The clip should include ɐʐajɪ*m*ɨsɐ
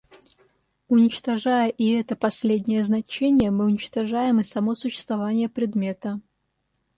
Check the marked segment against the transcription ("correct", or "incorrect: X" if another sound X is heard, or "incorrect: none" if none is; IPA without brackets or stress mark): correct